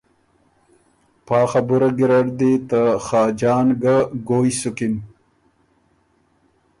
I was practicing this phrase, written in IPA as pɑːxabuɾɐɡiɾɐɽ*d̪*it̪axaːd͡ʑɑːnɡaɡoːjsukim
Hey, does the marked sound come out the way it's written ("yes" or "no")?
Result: yes